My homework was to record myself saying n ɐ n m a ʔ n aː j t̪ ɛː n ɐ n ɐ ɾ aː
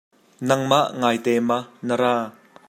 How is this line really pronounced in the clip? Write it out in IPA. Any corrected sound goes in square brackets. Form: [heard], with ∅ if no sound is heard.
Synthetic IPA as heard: n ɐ [ŋ] m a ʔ [ŋ] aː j t̪ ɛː [m] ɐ n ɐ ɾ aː